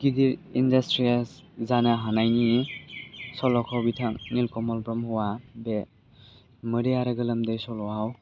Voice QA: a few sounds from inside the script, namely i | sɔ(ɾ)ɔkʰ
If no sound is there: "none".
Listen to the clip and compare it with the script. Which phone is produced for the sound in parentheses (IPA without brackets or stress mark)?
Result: l